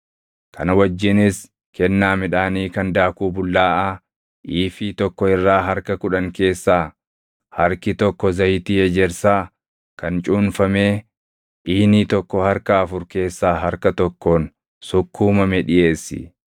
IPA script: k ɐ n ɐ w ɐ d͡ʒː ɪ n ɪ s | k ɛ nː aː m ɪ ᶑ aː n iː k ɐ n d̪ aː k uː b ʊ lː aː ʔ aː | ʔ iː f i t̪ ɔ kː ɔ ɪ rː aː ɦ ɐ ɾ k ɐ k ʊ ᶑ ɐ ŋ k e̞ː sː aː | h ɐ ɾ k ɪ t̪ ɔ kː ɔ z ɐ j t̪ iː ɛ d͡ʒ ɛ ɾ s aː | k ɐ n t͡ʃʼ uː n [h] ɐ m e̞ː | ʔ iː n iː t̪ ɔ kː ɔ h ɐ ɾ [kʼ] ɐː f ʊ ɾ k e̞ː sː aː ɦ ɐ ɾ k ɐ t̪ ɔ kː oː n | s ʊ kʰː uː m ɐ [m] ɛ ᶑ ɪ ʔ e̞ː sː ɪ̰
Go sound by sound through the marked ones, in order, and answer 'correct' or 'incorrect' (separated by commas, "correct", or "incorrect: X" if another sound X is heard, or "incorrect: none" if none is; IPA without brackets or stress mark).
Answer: incorrect: f, incorrect: k, correct